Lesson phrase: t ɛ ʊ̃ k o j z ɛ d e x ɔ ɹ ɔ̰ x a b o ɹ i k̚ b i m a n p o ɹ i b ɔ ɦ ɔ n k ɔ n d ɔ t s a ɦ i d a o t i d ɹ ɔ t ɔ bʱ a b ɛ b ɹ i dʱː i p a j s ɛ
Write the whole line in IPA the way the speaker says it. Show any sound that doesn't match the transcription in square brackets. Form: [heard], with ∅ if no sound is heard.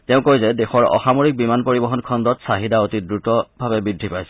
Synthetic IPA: t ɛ ʊ̃ k o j z ɛ d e x ɔ ɹ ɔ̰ x a [m] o ɹ i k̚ b i m a n p o ɹ i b ɔ ɦ ɔ n [kʰ] ɔ n d ɔ t s a ɦ i d a o t i d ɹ [u] t ɔ bʱ a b ɛ b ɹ i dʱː i p a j s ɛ